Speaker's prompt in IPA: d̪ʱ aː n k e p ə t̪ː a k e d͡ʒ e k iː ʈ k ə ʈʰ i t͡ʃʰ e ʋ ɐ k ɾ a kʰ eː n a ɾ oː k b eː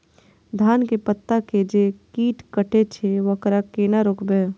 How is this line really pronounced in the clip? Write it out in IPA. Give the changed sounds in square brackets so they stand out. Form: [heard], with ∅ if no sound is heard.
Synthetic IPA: d̪ʱ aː n k e p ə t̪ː a k e d͡ʒ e k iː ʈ k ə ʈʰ [e] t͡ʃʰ e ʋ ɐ k ɾ a [k] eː n a ɾ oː k b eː

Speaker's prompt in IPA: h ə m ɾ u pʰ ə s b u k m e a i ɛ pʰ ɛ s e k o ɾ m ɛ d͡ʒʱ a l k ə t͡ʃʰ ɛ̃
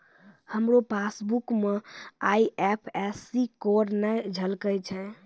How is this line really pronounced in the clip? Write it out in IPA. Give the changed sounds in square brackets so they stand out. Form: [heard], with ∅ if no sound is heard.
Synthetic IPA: h ə m ɾ [o] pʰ [a] s b u k m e a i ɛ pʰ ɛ s [i] k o ɾ [n] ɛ d͡ʒʱ [ə] l k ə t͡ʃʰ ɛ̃

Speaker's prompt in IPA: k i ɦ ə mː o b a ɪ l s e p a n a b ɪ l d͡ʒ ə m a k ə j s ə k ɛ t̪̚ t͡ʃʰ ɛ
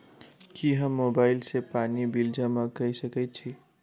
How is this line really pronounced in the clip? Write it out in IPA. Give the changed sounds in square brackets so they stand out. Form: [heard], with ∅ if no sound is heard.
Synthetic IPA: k i ɦ ə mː o b a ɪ l s e p a n [i] b [i] l d͡ʒ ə m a k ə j s ə k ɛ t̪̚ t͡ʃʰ [i]

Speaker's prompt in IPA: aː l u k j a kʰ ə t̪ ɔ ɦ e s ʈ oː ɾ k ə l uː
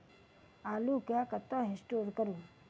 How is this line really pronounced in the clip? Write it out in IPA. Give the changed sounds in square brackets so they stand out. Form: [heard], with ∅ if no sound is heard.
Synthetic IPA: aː l u k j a [k] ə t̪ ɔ ɦ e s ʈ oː ɾ k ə [ɾ] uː

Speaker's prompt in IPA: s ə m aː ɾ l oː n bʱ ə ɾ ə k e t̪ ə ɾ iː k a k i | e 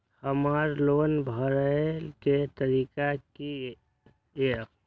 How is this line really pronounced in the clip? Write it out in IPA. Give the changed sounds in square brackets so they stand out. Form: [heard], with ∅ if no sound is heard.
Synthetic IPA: [h] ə m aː ɾ l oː n bʱ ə ɾ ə k e t̪ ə ɾ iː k a k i | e

